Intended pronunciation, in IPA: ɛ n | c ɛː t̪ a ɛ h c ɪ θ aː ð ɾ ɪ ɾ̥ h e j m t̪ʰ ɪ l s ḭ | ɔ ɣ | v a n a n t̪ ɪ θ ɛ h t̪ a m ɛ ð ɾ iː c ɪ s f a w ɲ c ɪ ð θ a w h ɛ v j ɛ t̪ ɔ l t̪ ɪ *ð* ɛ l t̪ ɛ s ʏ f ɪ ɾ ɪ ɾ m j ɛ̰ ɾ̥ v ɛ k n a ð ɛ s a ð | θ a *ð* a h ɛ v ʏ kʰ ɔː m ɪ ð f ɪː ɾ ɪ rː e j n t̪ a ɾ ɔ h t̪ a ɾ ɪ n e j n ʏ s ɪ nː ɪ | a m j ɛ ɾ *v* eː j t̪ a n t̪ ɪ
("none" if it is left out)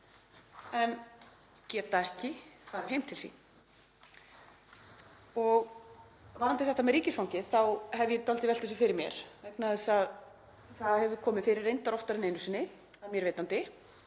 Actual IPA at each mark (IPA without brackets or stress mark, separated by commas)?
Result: v, ð, v